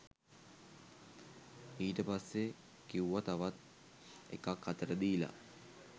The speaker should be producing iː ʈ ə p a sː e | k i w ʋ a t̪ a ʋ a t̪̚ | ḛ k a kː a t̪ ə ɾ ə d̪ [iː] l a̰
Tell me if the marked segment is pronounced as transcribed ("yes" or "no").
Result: yes